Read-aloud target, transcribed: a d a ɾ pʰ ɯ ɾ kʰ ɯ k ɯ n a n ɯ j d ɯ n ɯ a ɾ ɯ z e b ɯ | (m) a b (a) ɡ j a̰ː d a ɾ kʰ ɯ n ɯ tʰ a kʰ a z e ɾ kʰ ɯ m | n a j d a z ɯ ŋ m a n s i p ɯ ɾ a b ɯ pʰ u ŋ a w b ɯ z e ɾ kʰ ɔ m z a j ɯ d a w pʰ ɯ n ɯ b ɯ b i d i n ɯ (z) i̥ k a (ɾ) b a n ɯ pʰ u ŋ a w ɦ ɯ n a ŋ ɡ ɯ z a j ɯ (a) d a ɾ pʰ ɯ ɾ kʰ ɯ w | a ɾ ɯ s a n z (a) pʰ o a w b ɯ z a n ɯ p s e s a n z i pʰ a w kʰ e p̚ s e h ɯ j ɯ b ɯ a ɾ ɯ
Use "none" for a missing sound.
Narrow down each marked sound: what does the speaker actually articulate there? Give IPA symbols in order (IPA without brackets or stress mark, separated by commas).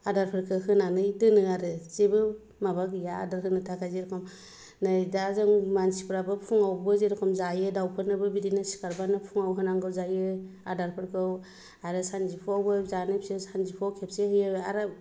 m, a, s, ɾ, a, i